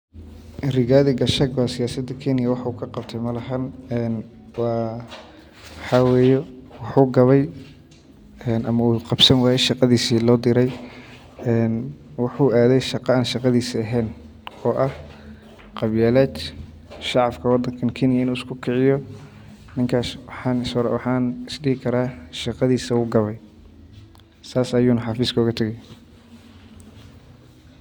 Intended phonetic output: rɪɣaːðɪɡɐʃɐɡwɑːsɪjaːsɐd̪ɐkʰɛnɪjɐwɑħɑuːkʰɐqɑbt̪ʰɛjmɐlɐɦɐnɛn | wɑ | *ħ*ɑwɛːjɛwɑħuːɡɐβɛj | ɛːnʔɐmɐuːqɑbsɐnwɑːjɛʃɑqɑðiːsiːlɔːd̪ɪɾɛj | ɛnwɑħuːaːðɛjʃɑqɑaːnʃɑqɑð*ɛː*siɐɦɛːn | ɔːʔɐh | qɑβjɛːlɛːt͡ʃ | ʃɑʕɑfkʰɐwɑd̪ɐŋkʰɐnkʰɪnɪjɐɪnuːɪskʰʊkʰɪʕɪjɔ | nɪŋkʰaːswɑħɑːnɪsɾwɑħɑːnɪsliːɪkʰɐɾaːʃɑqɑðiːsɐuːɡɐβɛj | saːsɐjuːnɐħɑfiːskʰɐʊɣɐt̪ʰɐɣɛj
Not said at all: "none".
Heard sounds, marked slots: ħ, iː

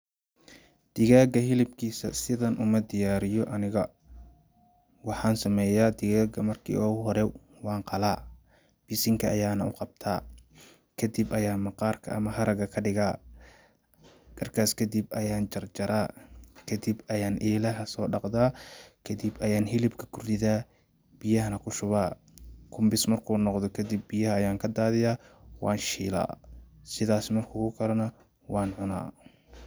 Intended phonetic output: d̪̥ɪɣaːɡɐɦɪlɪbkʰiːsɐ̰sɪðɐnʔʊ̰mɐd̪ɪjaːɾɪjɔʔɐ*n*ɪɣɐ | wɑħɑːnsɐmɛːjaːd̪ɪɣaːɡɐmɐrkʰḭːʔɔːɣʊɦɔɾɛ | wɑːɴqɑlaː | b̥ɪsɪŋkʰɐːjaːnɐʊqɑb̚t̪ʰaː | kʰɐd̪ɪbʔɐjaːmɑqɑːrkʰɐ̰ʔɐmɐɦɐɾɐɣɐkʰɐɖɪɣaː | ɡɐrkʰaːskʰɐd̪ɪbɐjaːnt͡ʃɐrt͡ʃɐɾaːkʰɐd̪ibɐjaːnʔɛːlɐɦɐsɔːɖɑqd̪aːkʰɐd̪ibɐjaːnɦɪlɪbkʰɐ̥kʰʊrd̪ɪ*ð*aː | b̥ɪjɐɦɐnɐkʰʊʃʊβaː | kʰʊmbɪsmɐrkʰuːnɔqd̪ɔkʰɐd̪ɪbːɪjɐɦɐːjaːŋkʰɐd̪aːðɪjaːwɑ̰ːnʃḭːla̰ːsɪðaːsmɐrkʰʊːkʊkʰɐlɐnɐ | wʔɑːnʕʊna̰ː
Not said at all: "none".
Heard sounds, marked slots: n, ð

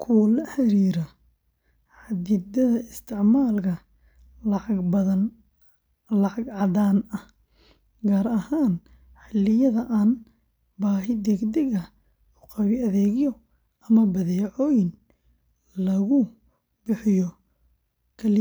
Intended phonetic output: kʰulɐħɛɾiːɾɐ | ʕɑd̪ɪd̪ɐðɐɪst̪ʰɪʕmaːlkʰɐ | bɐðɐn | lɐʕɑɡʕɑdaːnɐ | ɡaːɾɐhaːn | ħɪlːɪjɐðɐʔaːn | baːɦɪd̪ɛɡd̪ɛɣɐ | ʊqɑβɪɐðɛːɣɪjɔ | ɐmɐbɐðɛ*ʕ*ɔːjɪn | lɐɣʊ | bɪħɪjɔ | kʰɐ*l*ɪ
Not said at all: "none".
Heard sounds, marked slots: ʕ, l

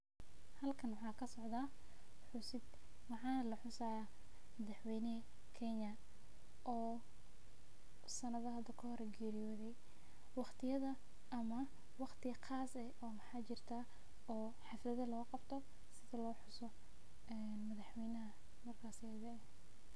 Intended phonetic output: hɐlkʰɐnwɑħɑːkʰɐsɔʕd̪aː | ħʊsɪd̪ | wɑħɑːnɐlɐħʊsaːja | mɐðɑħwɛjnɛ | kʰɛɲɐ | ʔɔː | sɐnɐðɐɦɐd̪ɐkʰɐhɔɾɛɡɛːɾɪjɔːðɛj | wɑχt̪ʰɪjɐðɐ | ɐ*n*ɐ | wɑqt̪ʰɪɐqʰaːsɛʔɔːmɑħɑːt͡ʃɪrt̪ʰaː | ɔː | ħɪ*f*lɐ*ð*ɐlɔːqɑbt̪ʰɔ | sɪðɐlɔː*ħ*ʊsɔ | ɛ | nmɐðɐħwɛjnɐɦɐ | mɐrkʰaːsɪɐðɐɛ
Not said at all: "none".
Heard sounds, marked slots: m, f, ð, ħ

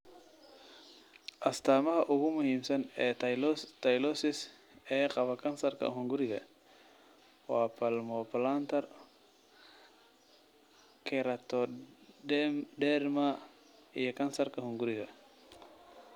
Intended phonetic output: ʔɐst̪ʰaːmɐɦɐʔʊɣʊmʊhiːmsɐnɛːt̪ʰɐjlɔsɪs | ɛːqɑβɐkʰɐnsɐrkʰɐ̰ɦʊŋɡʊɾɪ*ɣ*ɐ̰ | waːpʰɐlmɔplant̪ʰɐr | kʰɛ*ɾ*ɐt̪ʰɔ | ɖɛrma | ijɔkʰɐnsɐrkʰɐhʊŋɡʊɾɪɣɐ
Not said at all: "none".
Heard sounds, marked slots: ɣ, ɾ

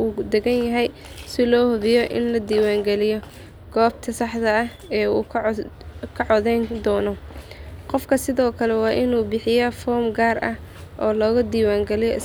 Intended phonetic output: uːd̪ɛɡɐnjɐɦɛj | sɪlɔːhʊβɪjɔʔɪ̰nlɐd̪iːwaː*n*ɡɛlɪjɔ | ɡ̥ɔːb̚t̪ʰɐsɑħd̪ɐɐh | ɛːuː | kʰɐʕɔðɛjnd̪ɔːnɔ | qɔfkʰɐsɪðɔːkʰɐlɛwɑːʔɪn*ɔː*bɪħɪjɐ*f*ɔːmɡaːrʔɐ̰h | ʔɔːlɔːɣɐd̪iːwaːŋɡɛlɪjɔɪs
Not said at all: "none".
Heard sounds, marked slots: ŋ, uː, f

